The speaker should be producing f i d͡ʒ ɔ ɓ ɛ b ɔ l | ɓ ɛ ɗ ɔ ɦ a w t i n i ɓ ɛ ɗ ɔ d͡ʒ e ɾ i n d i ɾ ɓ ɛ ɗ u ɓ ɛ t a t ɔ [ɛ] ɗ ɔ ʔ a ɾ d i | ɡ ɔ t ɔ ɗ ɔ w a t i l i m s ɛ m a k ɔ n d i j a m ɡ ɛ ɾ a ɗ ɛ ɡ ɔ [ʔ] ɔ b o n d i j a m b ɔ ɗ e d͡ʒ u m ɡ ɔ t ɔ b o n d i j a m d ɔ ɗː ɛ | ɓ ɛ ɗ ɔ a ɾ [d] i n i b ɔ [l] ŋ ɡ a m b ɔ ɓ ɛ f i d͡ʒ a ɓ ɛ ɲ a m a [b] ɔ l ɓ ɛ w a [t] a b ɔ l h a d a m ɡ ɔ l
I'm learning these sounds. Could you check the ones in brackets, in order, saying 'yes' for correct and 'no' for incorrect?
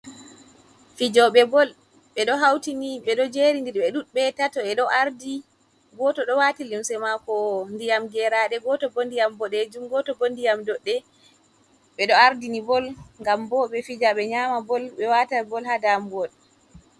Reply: yes, no, yes, yes, yes, yes

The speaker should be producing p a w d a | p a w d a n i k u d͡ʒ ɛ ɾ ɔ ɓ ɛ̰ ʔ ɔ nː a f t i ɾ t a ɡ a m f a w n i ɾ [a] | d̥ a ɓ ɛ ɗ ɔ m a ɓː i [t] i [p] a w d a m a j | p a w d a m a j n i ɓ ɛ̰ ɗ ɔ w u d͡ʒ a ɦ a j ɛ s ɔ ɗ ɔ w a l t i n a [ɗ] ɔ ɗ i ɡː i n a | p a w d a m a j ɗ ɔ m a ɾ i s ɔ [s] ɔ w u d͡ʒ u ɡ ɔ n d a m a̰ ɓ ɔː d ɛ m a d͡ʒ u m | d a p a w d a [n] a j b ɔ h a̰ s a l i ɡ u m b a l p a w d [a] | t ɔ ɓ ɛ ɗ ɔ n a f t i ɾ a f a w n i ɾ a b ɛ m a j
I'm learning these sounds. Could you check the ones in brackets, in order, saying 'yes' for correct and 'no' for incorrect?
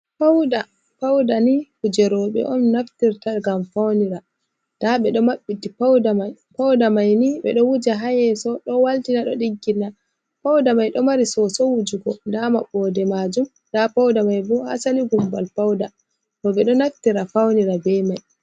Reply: yes, yes, yes, yes, yes, no, yes

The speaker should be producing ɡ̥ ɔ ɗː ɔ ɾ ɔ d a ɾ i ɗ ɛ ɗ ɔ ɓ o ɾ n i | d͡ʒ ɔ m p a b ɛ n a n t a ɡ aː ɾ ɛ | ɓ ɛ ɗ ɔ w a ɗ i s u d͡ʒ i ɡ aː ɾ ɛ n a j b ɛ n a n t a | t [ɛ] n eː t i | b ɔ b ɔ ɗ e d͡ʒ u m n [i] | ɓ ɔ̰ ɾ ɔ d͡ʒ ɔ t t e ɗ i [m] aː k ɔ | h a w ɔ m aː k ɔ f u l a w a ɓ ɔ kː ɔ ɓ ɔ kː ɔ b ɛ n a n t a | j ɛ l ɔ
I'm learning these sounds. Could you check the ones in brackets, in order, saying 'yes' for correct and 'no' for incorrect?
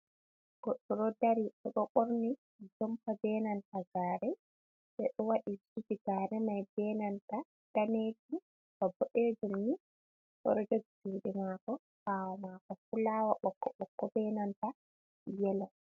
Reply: no, yes, yes

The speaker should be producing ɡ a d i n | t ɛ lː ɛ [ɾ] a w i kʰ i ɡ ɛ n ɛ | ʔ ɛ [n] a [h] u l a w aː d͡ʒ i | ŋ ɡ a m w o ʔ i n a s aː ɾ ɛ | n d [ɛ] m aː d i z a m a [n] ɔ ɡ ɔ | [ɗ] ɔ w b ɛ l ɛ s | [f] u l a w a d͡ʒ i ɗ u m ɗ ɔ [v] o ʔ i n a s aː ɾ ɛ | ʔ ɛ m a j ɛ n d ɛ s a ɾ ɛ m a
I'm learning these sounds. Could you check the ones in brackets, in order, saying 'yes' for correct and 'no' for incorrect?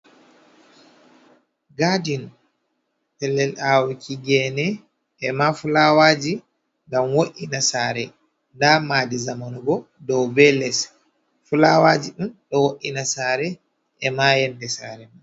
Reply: no, no, no, no, yes, no, yes, no

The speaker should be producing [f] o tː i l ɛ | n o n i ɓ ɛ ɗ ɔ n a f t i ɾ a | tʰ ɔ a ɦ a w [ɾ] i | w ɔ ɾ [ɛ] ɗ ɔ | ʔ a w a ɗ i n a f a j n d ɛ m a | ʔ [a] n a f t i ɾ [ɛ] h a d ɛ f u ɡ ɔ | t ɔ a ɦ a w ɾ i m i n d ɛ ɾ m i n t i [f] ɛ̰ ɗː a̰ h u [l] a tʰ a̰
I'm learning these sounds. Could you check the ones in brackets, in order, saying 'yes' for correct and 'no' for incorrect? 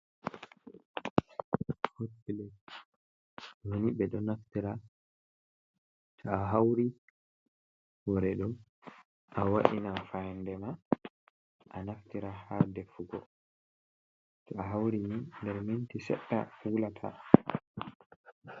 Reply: no, yes, yes, yes, no, no, yes

